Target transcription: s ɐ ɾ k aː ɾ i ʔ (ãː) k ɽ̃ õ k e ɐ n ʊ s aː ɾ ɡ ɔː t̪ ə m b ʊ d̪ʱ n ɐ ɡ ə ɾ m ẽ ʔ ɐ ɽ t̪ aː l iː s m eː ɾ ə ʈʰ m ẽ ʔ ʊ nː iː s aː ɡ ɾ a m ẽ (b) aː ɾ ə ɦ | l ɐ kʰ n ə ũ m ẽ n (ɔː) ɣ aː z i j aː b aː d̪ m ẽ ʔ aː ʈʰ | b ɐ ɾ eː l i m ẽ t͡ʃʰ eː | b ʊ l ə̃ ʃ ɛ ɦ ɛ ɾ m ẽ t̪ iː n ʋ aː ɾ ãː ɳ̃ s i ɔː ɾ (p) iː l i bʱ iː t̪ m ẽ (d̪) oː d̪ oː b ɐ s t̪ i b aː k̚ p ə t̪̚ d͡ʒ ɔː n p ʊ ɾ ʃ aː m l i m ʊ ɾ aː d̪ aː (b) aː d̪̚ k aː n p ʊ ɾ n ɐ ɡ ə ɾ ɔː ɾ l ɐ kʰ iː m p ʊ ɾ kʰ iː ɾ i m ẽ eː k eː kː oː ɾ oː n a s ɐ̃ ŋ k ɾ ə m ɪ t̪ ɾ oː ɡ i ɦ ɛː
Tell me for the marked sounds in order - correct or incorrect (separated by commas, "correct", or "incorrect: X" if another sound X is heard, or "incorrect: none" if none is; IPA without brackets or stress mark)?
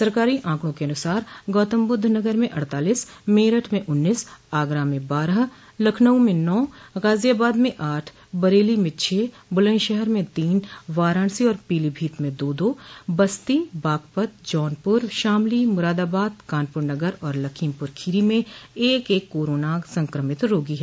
correct, correct, correct, correct, correct, correct